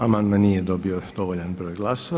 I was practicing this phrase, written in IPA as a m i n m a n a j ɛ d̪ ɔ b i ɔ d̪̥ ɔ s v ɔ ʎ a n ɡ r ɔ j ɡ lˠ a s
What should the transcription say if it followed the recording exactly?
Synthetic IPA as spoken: a m a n m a n i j ɛ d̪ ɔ b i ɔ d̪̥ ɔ v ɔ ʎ a n b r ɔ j ɡ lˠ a s